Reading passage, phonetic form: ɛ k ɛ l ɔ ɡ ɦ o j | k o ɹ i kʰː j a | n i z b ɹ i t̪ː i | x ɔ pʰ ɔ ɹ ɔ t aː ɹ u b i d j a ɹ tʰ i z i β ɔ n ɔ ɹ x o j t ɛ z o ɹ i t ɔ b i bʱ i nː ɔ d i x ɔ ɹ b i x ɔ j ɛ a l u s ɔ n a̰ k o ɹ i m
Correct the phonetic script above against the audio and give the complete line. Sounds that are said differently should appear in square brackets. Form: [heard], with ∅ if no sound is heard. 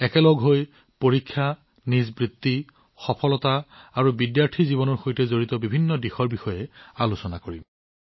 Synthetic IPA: ɛ k ɛ l ɔ ɡ ɦ o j | [p] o ɹ i kʰː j a | n i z b ɹ i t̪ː i | x ɔ pʰ ɔ [l] ɔ t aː ɹ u b i d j a ɹ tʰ i z i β ɔ n ɔ ɹ x o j t ɛ z o ɹ i t ɔ b i bʱ i nː ɔ d i x ɔ ɹ b i x ɔ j ɛ a l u s ɔ n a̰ k o ɹ i m

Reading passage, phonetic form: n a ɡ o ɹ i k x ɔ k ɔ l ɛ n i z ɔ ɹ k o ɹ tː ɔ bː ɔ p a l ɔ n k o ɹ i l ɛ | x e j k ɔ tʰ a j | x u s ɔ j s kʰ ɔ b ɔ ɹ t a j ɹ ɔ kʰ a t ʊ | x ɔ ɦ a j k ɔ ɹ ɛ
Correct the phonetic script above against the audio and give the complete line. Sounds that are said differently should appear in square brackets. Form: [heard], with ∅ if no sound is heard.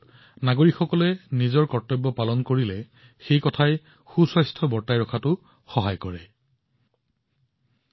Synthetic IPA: n a ɡ o ɹ i k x ɔ k ɔ l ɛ n i z ɔ ɹ k [ɔ] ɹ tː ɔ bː ɔ p a l ɔ n k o ɹ i l ɛ | x e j k ɔ tʰ a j | x u s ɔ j s [tʰ] ɔ b ɔ ɹ t a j ɹ ɔ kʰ a t ʊ | x ɔ ɦ a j k ɔ ɹ ɛ

